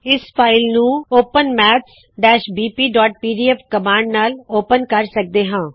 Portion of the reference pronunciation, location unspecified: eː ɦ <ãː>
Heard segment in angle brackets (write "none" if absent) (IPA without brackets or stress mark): ãː